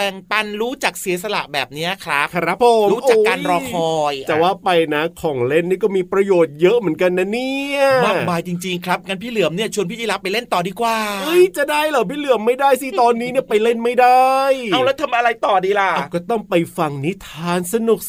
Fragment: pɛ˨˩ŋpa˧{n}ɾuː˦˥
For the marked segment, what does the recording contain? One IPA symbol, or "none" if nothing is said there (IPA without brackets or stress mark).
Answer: n